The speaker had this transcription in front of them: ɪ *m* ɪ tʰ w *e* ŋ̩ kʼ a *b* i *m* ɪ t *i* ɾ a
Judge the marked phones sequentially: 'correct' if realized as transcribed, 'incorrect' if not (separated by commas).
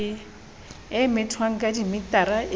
correct, incorrect, incorrect, correct, incorrect